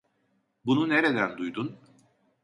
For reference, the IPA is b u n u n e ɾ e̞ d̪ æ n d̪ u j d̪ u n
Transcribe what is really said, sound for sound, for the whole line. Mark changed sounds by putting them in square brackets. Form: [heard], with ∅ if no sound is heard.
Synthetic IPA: b u n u n e ɾ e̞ d̪ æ n d̪ u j d̪ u n